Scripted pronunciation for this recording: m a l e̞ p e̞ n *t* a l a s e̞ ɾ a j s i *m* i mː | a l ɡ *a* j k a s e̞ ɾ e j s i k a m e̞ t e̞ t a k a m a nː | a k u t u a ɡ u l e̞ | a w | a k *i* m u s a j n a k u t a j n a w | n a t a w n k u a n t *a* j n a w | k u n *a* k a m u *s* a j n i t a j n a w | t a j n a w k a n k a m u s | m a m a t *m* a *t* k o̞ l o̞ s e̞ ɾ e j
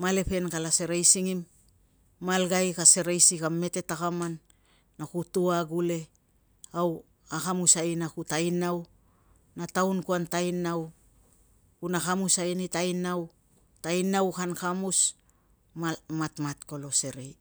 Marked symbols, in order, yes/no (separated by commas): no, no, yes, no, yes, yes, yes, yes, yes